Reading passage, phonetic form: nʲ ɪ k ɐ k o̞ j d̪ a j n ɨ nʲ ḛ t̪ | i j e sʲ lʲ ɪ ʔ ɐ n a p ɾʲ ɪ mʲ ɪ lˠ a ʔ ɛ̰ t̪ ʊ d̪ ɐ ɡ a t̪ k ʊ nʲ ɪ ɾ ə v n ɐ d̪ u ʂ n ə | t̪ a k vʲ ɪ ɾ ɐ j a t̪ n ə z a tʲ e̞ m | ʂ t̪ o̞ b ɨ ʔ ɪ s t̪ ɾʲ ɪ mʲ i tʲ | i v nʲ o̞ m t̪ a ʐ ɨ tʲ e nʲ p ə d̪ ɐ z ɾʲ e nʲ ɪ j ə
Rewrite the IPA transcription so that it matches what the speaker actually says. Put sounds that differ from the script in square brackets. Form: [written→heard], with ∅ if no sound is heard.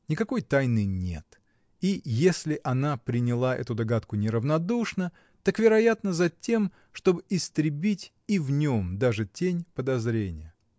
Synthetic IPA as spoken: nʲ ɪ k ɐ k o̞ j [d̪→t̪] a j n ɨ nʲ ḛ t̪ | i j e sʲ lʲ ɪ ʔ ɐ n a p ɾʲ ɪ [mʲ→nʲ] ɪ lˠ a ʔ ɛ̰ t̪ ʊ d̪ ɐ ɡ a t̪ k ʊ nʲ ɪ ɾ ə v n ɐ d̪ u ʂ n ə | t̪ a k vʲ ɪ ɾ ɐ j a t̪ n ə z [a→ɐ] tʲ e̞ m | ʂ t̪ o̞ b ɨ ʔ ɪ s t̪ ɾʲ ɪ [mʲ→bʲ] i tʲ | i v nʲ o̞ m [t̪→d̪] a ʐ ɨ tʲ e nʲ p ə d̪ ɐ z ɾʲ e nʲ ɪ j ə